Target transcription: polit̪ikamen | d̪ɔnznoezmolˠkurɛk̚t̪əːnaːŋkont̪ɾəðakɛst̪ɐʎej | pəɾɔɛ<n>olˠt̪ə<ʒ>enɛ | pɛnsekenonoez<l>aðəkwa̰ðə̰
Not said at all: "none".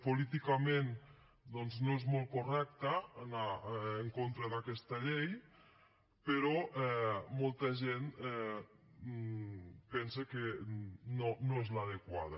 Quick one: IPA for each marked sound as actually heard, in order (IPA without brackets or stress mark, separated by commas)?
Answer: m, ʒ, l